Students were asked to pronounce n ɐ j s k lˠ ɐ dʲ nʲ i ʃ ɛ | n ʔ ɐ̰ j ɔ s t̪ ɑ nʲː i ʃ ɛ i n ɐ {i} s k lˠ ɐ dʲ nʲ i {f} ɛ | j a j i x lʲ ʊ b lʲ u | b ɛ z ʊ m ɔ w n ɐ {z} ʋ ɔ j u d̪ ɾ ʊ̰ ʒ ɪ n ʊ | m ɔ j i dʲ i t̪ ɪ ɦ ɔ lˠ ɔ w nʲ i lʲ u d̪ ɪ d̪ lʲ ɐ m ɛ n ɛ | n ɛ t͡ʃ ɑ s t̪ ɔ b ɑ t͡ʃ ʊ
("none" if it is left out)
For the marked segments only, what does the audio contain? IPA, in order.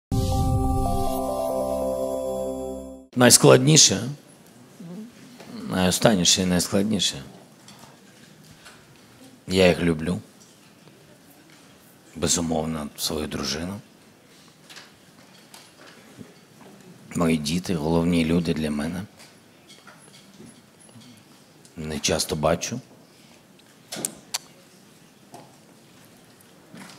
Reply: j, ʃ, s

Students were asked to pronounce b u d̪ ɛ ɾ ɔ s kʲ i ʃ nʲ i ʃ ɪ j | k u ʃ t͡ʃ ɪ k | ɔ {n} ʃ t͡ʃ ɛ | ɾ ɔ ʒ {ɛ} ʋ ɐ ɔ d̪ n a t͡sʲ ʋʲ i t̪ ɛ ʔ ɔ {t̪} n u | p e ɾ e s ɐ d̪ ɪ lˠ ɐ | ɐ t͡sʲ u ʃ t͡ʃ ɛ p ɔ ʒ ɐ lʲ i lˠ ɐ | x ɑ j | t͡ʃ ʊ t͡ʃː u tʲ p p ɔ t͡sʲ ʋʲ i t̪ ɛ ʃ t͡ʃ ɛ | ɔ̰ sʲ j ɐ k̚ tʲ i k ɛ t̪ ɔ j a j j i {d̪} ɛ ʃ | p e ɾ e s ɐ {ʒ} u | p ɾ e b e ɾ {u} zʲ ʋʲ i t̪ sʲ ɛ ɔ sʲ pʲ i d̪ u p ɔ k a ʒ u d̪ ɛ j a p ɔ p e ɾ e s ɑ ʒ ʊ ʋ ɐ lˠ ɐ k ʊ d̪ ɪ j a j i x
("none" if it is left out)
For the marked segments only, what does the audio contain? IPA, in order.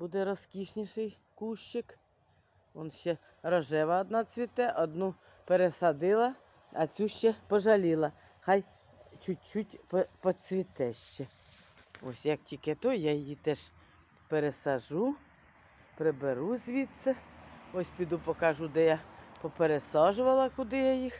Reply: n, ɛ, d̪, t̪, ʒ, u

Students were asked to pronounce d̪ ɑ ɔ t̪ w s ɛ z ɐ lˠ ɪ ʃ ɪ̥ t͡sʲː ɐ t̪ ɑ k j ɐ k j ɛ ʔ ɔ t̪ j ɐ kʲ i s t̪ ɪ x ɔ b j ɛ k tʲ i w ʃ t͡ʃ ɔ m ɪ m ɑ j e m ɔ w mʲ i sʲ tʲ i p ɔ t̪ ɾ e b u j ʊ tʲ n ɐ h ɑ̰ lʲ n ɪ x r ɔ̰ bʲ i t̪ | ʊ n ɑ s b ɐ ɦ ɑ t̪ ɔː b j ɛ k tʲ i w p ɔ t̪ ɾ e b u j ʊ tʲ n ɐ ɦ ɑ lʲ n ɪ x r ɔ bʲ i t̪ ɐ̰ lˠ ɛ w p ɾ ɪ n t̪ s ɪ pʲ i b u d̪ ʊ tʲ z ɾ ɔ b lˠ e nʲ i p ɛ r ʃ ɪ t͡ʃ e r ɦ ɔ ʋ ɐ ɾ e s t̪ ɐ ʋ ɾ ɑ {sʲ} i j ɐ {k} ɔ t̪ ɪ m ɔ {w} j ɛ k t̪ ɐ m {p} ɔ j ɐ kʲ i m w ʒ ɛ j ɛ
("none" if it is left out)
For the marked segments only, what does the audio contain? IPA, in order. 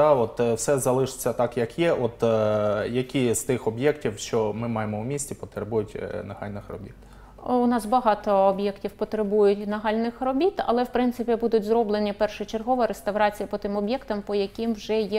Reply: t͡sʲ, p, b, p

